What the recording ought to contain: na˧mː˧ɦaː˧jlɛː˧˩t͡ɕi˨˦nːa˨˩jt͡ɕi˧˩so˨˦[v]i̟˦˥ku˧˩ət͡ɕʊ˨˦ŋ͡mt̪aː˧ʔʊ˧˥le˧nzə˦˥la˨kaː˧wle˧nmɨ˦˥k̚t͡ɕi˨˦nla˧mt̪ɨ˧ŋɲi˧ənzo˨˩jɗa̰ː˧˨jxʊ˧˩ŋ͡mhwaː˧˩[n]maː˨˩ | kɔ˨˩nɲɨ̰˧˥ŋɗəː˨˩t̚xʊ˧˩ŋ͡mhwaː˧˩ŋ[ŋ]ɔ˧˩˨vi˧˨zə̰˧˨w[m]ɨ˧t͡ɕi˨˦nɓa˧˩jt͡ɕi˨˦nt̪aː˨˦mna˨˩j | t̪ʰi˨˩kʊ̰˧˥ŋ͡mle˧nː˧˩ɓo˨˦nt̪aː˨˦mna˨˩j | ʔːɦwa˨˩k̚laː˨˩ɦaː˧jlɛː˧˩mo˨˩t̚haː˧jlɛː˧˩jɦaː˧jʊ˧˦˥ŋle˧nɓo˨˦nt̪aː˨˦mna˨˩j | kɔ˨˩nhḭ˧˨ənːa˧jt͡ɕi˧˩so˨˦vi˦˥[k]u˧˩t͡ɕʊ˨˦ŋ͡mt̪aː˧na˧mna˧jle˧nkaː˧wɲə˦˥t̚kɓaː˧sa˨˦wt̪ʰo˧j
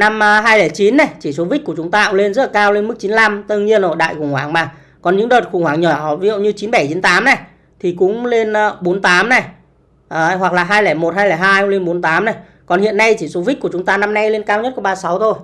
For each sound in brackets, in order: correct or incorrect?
correct, incorrect: ŋ, incorrect: ɲ, incorrect: ɲ, correct

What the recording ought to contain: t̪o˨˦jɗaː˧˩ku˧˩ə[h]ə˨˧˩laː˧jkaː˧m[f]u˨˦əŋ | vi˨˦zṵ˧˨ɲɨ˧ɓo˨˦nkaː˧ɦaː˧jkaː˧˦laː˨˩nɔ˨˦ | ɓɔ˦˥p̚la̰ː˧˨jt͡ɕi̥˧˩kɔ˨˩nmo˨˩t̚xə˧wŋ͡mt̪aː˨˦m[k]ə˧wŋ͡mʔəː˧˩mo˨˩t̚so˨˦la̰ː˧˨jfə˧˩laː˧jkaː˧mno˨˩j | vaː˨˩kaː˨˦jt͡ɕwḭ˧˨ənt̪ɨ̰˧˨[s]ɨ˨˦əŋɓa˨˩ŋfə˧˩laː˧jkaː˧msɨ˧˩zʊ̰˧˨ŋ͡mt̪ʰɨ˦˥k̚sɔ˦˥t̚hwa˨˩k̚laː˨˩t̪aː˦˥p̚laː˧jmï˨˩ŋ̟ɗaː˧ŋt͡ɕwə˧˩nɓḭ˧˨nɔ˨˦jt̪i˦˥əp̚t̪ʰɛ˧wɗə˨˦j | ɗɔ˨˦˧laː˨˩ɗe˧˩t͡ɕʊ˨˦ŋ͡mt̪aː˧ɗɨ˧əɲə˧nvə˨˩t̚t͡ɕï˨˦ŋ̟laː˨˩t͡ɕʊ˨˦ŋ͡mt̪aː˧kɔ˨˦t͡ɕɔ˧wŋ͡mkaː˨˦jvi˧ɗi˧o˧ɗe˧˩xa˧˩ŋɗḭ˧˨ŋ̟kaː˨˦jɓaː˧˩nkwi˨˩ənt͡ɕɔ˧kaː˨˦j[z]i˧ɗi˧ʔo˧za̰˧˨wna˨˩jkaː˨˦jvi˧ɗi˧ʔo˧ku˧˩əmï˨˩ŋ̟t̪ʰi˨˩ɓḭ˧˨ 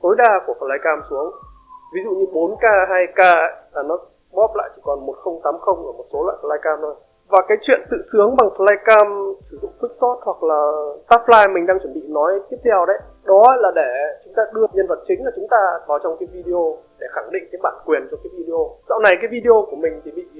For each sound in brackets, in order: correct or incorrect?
incorrect: f, incorrect: s, incorrect: x, correct, incorrect: v

